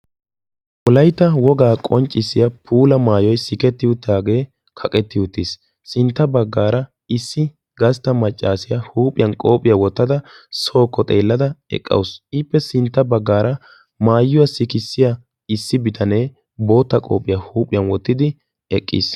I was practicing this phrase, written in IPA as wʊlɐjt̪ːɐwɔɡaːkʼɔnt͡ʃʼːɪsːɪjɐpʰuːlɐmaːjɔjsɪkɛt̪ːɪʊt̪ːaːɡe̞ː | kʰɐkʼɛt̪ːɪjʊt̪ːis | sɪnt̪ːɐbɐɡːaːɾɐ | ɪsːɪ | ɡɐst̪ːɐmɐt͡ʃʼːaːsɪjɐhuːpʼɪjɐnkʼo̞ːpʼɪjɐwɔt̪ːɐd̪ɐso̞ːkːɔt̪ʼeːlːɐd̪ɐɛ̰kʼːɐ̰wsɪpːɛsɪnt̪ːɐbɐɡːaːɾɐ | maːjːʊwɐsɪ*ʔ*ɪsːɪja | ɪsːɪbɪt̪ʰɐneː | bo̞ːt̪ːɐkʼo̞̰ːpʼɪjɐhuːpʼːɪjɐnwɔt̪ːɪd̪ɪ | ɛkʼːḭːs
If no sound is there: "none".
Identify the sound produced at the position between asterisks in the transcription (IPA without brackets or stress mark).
k